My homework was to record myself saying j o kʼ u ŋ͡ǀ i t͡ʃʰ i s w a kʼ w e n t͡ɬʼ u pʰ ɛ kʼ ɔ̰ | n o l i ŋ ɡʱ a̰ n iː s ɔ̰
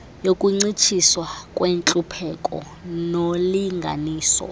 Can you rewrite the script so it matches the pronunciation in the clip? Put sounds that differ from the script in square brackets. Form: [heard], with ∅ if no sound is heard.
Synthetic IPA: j o kʼ u ŋ͡ǀ i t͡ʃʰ i s w a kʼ w e n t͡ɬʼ u pʰ ɛ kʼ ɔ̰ | n o l i ŋ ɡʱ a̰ n iː s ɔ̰